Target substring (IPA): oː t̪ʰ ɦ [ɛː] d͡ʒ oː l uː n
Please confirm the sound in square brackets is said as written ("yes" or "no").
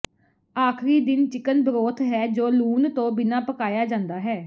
yes